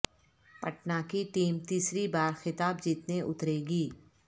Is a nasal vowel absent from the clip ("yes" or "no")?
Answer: yes